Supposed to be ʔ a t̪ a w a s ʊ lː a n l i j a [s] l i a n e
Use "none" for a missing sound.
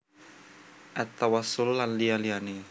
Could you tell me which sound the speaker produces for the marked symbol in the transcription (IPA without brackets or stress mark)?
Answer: none